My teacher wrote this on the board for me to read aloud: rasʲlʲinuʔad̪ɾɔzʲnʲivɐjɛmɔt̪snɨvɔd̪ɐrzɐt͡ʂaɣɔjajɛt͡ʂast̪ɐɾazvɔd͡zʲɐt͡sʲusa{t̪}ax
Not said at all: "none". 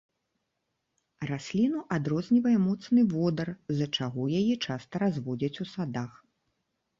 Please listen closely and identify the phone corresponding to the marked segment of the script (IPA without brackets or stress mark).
d̪